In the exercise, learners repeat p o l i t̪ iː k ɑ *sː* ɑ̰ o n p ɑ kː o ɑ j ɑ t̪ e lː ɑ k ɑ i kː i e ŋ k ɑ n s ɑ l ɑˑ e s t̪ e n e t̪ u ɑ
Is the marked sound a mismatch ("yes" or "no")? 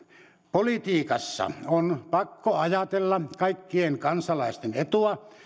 no